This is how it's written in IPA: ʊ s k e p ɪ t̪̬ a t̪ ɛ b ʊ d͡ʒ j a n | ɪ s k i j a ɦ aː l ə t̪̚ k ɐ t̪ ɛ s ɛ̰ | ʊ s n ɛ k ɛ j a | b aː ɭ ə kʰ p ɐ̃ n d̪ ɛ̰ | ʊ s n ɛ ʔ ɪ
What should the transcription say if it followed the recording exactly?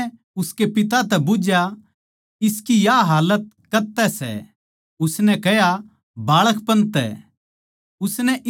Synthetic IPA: ʊ s k e p ɪ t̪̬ a t̪ ɛ b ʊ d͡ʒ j a | ɪ s k i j a ɦ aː l ə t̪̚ k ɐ t̪ ɛ s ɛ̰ | ʊ s n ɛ k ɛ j a | b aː ɭ ə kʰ p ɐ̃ n t̪ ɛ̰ | ʊ s n ɛ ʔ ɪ